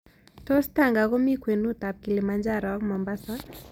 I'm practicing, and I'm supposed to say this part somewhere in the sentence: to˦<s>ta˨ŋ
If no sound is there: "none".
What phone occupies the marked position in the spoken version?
s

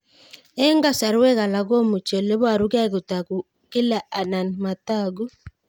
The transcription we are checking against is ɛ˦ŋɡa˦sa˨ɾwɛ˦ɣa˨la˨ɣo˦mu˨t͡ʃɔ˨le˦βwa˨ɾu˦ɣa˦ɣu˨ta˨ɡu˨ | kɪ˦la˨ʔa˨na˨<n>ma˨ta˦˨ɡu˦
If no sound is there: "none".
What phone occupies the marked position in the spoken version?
n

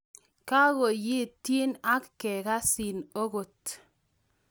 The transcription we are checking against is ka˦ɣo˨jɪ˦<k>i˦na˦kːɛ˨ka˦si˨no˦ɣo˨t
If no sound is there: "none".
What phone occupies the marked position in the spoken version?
t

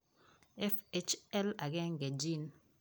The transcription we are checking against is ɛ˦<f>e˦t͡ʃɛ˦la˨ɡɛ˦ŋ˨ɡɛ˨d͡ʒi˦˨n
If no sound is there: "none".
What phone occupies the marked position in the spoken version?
f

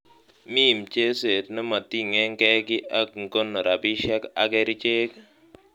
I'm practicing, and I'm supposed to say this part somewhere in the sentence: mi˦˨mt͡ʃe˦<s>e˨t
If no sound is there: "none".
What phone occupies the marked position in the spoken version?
s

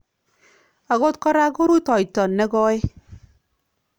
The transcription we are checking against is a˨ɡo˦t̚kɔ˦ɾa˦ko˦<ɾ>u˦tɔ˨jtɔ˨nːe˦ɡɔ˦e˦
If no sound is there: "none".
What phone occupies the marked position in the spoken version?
ɾ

